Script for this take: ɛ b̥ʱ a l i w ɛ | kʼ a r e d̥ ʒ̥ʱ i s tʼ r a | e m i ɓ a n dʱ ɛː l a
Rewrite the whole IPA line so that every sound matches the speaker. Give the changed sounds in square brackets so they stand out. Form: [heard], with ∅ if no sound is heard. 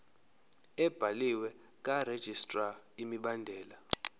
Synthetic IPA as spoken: ɛ b̥ʱ a l i w ɛ | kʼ a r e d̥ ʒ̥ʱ i s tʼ r a | [i] m i ɓ a n dʱ ɛː l a